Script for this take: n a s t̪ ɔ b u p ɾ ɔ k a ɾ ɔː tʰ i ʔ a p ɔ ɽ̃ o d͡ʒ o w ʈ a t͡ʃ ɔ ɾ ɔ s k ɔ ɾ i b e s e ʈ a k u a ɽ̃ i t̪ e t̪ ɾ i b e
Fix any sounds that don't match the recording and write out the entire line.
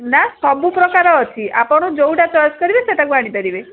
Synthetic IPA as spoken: n a s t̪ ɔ b u p ɾ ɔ k a ɾ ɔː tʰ i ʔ a p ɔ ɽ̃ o d͡ʒ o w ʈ a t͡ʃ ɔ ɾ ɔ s k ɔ ɾ i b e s e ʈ a k u a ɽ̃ i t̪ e ɾ i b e